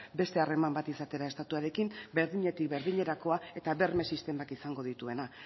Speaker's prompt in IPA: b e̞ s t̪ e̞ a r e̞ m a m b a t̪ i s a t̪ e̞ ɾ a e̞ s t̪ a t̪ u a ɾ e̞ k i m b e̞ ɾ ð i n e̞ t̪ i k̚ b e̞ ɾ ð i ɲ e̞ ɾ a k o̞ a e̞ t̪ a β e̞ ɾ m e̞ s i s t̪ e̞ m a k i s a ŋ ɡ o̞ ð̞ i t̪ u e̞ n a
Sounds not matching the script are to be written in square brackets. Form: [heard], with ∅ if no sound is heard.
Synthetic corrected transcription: b e̞ s t̪ e̞ a r e̞ m a m b a t̪ i s a t̪ e̞ ɾ a e̞ s t̪ a t̪ u a ɾ e̞ k i m b e̞ ɾ ð i [ɲ] e̞ t̪ i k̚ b e̞ ɾ ð i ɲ e̞ ɾ a k o̞ a e̞ t̪ a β e̞ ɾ m e̞ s i s t̪ e̞ m a k i s a ŋ ɡ o̞ ð̞ i t̪ u e̞ n a